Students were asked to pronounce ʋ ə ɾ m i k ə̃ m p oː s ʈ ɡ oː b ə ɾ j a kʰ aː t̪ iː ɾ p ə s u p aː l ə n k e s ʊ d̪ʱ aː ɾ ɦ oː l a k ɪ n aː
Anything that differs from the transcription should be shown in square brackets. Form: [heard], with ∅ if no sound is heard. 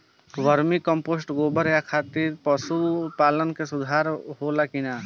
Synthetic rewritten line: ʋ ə ɾ m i k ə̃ m p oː s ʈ ɡ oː b ə ɾ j a kʰ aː t̪ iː ɾ p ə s u p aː l ə n k e s ʊ d̪ʱ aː ɾ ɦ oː l a k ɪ n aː